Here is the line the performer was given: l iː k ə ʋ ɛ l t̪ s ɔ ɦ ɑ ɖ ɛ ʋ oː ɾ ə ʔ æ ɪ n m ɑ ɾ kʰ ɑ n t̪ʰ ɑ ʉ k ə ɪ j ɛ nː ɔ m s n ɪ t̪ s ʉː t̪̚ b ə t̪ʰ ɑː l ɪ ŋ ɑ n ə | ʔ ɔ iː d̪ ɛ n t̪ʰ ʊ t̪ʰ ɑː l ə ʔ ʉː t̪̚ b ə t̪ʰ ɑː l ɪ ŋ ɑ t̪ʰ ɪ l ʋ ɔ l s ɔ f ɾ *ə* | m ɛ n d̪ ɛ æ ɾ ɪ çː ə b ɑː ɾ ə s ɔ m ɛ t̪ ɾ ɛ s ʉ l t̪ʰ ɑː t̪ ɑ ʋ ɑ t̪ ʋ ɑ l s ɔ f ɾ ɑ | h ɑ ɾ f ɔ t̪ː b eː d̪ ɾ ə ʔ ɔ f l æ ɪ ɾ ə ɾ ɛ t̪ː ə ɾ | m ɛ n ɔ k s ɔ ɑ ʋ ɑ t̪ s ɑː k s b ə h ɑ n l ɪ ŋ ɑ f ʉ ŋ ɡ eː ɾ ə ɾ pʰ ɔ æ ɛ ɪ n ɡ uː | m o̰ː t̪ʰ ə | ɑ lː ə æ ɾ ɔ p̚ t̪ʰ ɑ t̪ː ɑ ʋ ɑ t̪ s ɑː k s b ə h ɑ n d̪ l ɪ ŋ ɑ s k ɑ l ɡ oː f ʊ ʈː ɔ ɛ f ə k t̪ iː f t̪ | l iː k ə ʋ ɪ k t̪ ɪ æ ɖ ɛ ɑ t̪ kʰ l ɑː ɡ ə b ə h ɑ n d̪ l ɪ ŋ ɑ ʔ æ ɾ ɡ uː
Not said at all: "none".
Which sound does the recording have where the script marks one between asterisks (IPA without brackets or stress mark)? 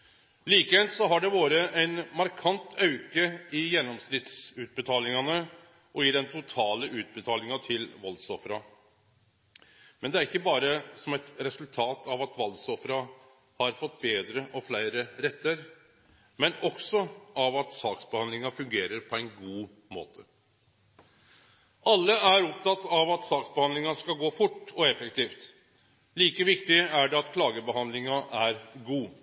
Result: ɑ